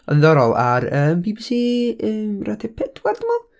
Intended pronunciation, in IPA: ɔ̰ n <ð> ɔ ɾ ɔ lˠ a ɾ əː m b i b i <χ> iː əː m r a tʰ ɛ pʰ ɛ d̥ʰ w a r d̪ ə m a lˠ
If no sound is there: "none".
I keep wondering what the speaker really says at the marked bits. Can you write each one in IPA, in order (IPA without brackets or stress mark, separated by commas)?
ð, s